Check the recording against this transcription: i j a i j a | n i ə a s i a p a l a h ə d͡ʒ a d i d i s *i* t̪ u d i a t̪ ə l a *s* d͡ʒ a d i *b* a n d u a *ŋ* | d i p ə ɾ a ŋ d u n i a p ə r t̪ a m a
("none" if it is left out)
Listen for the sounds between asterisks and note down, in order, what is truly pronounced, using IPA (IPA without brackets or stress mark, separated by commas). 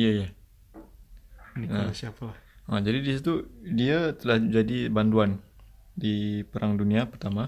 i, h, b, n